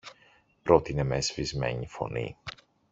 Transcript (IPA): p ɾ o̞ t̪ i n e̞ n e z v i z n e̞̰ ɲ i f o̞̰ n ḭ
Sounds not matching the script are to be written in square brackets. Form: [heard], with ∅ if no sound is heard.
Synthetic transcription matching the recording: p ɾ o̞ t̪ i n e̞ [m] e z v i z [m] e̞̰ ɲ i f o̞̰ n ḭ